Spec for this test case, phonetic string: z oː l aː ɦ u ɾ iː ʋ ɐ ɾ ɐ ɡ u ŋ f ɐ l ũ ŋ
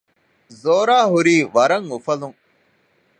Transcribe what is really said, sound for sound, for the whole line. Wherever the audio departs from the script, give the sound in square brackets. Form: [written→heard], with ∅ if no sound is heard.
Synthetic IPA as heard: z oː [l→ɾ] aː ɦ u ɾ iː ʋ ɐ ɾ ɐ [ɡ→ŋ] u [ŋ→∅] f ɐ l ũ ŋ